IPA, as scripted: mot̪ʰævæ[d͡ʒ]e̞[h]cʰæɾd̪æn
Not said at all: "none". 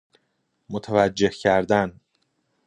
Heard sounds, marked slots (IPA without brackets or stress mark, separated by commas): d͡ʒː, h